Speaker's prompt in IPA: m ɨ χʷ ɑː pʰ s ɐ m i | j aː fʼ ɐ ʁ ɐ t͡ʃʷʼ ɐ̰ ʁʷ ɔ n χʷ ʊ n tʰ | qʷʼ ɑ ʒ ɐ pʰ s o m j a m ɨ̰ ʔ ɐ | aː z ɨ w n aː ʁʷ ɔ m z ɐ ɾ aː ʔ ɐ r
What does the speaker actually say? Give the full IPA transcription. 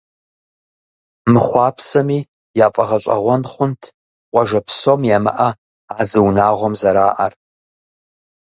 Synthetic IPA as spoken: m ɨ χʷ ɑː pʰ s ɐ m i | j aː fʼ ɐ ʁ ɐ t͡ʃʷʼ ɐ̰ ʁʷ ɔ n χʷ ʊ n tʰ | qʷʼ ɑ ʒ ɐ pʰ s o m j a m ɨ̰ ʔ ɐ | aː z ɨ w n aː ʁʷ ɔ m z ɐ ɾ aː ʔ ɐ r